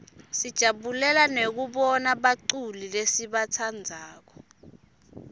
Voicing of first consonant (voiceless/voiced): voiceless